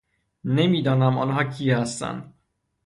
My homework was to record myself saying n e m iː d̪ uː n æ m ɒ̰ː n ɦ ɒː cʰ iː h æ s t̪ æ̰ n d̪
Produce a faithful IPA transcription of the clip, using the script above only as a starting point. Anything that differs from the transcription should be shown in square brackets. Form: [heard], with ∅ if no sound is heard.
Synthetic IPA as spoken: n e m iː d̪ [ɒː] n æ m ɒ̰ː n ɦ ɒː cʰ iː h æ s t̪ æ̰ n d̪